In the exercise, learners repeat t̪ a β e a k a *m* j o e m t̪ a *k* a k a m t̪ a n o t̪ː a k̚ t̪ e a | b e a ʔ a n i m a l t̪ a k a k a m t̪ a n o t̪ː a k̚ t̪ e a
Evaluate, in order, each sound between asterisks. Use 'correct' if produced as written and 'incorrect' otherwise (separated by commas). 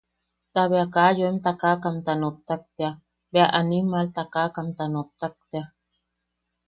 incorrect, correct